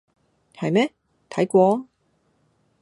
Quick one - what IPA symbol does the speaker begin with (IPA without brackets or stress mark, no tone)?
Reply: h